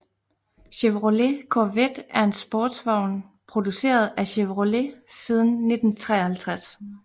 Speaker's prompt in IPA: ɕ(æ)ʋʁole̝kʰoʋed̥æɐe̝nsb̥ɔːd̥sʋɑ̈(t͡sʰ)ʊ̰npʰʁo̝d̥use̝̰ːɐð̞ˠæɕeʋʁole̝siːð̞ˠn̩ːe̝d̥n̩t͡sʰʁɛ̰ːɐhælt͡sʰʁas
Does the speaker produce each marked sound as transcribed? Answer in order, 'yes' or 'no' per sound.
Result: no, no

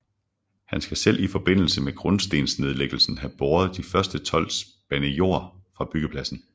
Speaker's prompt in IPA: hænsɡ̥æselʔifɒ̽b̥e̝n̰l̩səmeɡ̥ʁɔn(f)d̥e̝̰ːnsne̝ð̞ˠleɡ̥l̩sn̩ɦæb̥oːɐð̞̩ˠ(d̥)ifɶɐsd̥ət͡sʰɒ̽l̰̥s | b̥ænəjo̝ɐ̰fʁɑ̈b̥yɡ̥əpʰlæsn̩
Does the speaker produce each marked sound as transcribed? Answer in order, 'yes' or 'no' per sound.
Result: no, yes

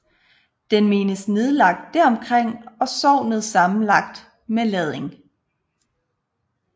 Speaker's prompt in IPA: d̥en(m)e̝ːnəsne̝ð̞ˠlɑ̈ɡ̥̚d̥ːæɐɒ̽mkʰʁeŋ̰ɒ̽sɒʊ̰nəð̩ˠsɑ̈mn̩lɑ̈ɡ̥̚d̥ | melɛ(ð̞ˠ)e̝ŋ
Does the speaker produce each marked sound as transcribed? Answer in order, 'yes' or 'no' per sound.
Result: yes, yes

